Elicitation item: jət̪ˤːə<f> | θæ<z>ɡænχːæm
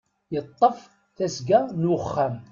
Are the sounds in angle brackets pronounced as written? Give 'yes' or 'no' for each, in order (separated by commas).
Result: yes, no